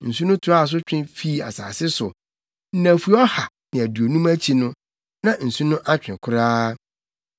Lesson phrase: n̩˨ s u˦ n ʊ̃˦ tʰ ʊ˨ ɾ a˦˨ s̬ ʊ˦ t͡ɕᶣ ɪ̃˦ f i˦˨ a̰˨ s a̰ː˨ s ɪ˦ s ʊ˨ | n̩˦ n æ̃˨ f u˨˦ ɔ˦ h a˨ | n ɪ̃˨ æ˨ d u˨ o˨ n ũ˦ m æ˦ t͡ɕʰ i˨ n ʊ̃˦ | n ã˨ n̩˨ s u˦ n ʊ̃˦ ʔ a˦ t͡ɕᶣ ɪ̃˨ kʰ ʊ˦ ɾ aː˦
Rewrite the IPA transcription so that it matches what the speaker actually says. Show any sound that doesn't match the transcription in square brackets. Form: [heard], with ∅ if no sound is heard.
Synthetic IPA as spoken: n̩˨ s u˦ n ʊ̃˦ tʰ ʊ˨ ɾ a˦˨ s̬ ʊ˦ t͡ɕᶣ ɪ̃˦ f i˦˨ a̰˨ s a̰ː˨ s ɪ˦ s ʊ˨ | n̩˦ n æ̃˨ f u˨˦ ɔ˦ h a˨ | n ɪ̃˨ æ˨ d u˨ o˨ n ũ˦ m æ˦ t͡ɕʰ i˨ n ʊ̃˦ | n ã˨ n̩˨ s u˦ n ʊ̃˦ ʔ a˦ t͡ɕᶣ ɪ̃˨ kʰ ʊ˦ ɾ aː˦